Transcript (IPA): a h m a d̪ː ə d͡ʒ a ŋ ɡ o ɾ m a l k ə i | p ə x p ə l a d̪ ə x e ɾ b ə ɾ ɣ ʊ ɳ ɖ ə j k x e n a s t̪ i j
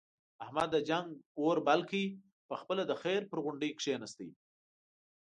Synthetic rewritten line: a h m a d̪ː ə d͡ʒ a ŋ ɡ o ɾ b a l k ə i | p ə x p ə l a d̪ ə x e ɾ p ə ɾ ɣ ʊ ɳ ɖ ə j k ʂ e n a s t̪ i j